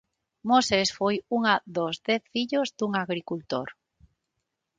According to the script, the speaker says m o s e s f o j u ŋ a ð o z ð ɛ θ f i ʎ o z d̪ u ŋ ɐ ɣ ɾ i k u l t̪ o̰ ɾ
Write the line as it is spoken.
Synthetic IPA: m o s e s f o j u ŋ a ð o z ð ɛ θ f i ʎ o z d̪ u ŋ a ɣ ɾ i k u l t̪ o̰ ɾ